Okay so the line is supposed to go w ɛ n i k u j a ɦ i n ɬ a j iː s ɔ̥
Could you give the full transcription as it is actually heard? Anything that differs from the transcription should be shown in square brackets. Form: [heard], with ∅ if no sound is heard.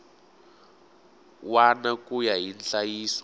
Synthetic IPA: w [a] n [a] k u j a ɦ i n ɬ a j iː s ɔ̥